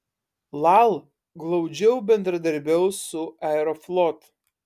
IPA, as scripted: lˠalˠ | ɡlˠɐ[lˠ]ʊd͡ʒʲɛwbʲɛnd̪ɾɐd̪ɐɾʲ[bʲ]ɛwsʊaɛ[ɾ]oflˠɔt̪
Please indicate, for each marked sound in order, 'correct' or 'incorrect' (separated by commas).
incorrect, correct, correct